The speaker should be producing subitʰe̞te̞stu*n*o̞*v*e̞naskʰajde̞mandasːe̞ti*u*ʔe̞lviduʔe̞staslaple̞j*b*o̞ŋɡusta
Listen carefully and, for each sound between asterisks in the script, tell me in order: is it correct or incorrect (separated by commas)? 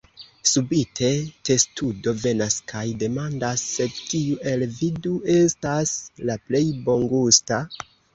incorrect, correct, correct, correct